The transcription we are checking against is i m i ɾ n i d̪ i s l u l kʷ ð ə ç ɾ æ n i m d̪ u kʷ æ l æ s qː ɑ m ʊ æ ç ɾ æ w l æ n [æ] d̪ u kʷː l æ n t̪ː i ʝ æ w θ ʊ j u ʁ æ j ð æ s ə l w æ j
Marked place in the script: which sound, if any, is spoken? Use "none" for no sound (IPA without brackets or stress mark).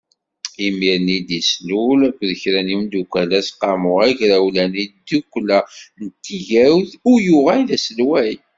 i